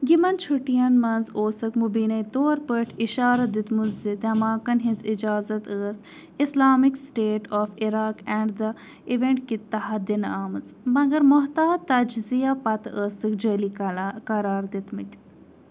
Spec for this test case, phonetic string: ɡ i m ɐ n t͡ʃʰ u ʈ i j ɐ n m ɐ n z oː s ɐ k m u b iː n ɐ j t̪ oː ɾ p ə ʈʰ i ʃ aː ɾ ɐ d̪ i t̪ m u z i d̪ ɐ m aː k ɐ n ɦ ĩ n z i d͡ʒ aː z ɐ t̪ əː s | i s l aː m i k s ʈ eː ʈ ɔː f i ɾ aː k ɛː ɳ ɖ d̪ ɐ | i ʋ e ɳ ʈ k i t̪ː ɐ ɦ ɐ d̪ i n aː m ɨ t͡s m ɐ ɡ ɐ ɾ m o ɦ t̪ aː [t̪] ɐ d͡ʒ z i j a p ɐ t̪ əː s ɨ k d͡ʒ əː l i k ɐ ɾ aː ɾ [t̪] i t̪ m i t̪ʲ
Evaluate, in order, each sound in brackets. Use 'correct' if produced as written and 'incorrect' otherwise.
correct, incorrect: d̪

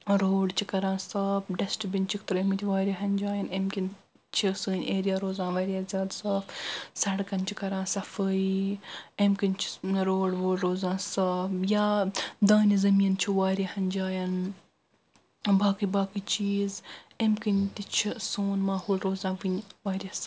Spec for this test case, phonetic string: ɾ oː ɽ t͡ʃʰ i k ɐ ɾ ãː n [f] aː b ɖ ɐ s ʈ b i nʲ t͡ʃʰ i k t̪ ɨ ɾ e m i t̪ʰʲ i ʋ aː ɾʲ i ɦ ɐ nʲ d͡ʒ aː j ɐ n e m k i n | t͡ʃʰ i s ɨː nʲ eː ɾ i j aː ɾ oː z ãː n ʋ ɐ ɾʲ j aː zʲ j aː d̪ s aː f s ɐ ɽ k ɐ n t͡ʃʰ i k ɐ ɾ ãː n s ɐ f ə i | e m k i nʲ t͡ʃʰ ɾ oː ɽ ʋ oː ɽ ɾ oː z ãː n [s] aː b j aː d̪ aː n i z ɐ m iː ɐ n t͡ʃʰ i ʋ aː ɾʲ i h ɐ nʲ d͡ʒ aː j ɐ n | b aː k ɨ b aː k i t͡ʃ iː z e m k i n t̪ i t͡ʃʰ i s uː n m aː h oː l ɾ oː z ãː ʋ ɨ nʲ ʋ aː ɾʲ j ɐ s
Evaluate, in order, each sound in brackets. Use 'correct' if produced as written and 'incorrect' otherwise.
incorrect: s, correct

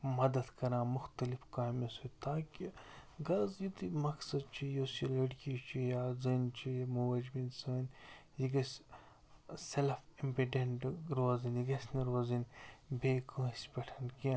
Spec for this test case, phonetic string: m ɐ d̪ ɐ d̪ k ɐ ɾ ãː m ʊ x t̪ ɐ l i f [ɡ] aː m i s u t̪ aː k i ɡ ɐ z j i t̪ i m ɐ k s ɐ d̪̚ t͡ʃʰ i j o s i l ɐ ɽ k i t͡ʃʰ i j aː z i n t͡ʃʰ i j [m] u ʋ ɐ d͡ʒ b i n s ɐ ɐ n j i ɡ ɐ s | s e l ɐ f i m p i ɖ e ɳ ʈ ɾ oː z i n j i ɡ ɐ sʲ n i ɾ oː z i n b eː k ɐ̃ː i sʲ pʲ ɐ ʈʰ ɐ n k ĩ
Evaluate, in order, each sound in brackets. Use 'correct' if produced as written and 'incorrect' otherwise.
incorrect: k, correct

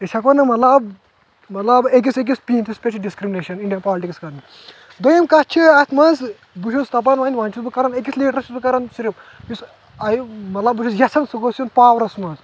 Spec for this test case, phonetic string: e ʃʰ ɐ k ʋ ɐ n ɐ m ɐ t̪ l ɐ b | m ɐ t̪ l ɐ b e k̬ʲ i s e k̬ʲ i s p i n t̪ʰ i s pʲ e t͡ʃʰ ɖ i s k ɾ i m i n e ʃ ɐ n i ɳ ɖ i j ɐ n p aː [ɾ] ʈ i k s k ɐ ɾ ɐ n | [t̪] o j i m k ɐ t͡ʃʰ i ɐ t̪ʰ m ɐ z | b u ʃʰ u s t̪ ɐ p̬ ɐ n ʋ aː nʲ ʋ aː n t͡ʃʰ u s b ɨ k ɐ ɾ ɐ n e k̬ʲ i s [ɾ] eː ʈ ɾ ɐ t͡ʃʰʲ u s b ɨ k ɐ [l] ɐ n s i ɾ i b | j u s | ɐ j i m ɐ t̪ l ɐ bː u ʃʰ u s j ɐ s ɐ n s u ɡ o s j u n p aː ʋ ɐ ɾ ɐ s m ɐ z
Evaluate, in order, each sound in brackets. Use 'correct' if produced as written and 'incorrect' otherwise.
incorrect: l, incorrect: d̪, incorrect: l, incorrect: ɾ

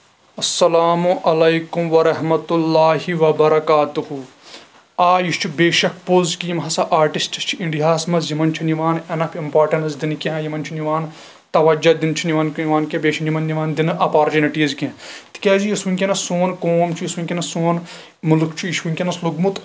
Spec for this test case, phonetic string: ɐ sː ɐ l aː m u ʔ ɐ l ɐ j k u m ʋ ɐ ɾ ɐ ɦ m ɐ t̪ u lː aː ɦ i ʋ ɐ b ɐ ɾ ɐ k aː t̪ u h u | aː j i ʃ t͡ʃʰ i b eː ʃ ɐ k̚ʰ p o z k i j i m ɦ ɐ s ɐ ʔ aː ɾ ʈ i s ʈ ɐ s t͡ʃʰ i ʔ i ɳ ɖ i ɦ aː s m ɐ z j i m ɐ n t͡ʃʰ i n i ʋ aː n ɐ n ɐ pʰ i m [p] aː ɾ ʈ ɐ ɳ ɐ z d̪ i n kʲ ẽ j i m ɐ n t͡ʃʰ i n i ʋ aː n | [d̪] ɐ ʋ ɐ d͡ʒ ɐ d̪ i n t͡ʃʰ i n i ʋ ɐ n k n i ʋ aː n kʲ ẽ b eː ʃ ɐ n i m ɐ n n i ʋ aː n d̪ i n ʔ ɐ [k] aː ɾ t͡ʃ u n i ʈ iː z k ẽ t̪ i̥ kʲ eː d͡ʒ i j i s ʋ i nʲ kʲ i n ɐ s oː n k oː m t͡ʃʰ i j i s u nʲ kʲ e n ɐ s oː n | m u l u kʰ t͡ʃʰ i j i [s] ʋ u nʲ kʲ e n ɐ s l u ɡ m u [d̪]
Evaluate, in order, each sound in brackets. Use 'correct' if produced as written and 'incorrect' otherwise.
correct, incorrect: t̪, incorrect: p, incorrect: ʃ, incorrect: t̪

